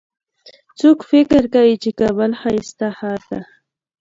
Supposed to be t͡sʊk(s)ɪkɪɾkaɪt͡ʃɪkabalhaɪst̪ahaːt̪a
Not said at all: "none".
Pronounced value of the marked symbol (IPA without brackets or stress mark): f